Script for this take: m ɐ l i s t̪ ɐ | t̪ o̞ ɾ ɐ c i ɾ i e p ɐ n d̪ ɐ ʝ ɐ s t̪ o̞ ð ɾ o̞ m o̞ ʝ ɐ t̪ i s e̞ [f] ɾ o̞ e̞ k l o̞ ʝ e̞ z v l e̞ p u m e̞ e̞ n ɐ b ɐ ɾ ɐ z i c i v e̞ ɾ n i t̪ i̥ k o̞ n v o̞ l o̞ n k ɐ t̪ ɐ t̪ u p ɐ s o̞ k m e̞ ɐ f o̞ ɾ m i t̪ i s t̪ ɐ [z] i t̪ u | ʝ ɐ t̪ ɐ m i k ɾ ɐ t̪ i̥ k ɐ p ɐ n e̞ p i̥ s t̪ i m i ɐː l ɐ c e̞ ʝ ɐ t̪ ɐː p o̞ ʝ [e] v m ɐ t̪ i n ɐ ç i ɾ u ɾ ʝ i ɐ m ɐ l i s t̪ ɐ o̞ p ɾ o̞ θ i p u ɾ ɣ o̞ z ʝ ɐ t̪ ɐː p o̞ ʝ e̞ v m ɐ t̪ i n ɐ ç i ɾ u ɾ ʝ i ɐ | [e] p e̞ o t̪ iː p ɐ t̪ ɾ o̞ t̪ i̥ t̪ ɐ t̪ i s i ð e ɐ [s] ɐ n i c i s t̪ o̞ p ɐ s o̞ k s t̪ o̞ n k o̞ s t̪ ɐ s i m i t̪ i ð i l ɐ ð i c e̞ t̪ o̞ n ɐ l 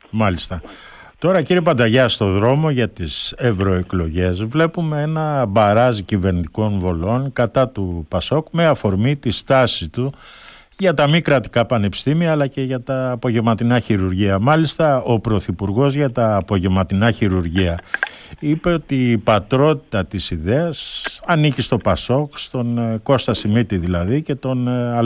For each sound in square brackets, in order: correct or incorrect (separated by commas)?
incorrect, incorrect, correct, incorrect, correct